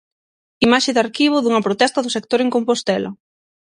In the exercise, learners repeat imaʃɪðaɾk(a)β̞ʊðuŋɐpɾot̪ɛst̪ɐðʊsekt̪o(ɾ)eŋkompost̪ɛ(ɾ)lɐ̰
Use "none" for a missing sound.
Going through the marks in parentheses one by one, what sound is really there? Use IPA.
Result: i, ɾ, none

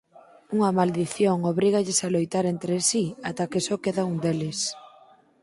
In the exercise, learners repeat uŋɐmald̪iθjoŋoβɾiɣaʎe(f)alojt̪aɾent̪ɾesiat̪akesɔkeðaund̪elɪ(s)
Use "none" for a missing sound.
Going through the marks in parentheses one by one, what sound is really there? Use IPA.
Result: s, s

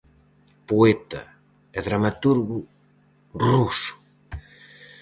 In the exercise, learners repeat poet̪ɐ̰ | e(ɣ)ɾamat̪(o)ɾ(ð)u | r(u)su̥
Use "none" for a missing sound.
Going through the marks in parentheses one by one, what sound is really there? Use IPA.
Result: ð, u, ɣ, u

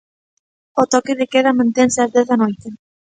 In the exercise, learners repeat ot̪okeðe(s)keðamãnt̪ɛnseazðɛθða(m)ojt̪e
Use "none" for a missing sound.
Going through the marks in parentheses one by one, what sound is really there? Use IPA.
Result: none, n

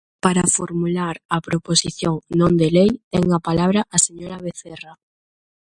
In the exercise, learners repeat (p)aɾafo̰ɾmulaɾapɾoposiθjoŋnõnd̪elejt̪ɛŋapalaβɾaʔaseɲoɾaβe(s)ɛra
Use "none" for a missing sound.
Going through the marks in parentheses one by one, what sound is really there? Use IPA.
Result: p, θ

